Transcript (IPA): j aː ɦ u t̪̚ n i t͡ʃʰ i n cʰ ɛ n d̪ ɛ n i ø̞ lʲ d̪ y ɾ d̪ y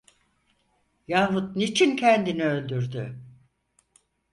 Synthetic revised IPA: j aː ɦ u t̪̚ n i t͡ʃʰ i n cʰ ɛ n d̪ i n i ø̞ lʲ d̪ y ɾ d̪ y